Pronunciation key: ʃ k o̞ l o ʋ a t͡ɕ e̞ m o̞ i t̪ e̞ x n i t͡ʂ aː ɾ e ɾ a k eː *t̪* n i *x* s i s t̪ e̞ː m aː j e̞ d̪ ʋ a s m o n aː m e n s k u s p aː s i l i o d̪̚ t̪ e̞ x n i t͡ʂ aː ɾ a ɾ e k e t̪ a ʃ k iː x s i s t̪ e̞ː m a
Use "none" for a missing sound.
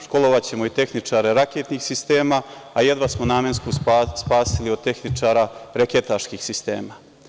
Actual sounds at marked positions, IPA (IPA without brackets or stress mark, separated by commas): t̪, x